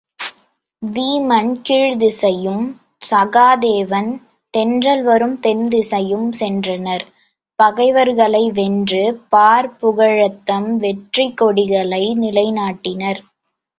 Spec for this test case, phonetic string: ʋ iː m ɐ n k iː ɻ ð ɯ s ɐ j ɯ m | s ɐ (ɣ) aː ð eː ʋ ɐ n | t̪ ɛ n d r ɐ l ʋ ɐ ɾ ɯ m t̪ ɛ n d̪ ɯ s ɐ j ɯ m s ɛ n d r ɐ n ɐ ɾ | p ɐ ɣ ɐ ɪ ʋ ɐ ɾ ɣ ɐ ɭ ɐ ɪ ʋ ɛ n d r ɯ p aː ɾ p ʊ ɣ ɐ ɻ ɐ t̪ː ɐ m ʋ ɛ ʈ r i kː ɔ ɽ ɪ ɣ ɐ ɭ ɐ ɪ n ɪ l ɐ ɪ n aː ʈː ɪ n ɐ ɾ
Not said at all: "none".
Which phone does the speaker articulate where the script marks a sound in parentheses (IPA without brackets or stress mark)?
ɣ